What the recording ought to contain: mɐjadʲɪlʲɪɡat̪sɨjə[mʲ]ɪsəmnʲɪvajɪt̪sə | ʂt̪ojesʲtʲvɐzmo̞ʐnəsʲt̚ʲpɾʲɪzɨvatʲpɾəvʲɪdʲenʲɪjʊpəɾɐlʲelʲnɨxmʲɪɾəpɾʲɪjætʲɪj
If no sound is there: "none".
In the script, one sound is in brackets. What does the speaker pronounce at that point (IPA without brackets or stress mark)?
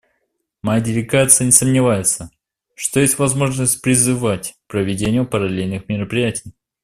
nʲ